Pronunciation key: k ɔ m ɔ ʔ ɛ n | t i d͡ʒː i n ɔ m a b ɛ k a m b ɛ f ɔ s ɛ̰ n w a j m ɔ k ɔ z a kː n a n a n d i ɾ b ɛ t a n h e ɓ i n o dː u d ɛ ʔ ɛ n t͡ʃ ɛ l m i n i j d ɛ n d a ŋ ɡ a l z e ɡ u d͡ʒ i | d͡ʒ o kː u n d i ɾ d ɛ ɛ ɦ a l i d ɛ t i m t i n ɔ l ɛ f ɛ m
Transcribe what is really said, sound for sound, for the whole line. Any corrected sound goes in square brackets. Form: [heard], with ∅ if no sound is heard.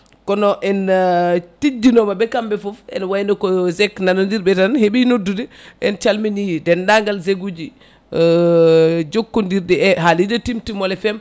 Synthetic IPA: k ɔ [n] ɔ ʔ ɛ n | t i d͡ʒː i n ɔ m a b ɛ k a m b ɛ f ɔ [f] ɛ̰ n w a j [n] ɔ k ɔ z [ɛ] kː n a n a n d i ɾ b ɛ t a n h e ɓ i n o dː u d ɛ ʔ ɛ n t͡ʃ [a] l m i n i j d ɛ n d a ŋ ɡ a l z e ɡ u d͡ʒ i | d͡ʒ o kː u n d i ɾ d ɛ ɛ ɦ a l i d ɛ t i m t i [m] ɔ l ɛ f ɛ m